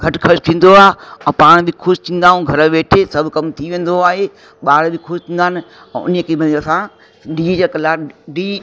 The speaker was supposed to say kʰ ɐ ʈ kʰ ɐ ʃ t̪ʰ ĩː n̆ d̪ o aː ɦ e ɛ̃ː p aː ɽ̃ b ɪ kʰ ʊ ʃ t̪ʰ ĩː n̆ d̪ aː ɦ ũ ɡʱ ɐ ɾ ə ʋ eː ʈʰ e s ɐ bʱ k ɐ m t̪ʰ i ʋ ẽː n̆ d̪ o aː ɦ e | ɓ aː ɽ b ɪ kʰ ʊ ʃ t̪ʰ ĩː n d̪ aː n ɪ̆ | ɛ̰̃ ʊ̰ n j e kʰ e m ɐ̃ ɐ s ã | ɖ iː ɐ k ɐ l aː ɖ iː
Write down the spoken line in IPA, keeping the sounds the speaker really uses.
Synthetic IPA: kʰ ɐ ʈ kʰ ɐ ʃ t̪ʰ ĩː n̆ d̪ o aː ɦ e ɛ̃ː p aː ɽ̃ b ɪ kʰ ʊ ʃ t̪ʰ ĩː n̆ d̪ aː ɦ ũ ɡʱ ɐ ɾ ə ʋ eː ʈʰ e s ɐ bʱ k ɐ m t̪ʰ i ʋ ẽː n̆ d̪ o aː ɦ e | ɓ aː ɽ b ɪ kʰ ʊ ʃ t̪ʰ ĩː n d̪ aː n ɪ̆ | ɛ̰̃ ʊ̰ n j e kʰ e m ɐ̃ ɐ s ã | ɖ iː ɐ k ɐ l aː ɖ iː